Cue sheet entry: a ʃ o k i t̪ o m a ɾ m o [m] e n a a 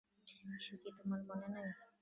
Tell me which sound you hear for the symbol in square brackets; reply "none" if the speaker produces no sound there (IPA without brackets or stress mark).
n